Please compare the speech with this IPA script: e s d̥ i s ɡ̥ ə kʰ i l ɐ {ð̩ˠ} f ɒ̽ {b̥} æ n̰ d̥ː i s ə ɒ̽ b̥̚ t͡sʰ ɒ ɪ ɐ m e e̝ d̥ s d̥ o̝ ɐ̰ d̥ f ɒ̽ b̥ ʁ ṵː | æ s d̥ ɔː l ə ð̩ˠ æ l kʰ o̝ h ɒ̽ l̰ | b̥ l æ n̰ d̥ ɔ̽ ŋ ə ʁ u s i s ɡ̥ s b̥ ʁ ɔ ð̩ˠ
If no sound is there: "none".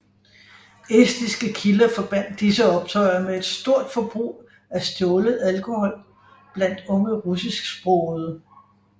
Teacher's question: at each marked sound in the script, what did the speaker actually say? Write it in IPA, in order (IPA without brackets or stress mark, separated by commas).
none, b̥